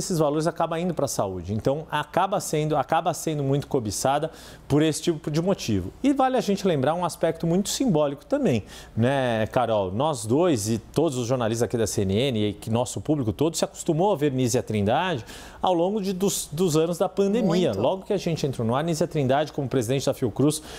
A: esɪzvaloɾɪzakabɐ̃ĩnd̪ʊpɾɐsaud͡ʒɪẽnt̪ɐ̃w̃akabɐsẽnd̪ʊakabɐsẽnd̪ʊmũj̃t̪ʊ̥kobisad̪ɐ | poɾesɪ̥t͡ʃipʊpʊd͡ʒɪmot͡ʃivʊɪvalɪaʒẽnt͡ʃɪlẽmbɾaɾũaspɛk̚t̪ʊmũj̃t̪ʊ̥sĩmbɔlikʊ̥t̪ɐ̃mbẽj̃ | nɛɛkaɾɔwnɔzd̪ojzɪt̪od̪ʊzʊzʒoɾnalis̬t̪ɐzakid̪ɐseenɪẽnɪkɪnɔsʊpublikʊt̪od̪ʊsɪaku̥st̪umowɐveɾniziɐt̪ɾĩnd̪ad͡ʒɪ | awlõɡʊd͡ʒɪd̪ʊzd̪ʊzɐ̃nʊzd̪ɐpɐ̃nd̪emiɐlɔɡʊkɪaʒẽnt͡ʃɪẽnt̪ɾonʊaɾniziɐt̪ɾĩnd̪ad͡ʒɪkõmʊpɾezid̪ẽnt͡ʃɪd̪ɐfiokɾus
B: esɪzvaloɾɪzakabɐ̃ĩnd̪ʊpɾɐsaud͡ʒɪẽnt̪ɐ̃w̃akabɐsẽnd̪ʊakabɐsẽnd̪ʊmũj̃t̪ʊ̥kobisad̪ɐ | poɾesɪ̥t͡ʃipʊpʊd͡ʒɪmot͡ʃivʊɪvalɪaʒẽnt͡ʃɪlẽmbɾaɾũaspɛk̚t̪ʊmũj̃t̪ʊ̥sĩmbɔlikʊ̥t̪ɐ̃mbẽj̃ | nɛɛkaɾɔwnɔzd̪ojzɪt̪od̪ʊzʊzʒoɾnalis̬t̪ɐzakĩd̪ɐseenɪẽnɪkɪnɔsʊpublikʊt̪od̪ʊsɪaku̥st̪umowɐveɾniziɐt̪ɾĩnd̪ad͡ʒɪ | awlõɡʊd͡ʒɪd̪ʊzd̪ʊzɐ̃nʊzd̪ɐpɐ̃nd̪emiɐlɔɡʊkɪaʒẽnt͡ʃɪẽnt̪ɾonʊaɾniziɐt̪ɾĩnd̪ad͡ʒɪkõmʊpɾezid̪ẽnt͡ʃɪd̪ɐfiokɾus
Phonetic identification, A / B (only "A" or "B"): A